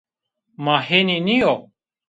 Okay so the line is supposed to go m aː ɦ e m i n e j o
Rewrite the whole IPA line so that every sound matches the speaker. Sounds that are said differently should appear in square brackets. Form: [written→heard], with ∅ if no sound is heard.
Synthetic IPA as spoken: m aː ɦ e [m→n] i n [e→i] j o